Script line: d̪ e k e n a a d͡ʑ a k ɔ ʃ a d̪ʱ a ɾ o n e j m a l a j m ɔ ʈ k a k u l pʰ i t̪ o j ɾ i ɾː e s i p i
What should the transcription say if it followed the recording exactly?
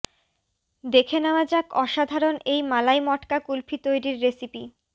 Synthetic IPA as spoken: d̪ e kʰ e n a a d͡ʑ a k ɔ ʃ a d̪ʱ a ɾ o n e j m a l a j m ɔ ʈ k a k u l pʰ i t̪ o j ɾ i ɾː e s i p i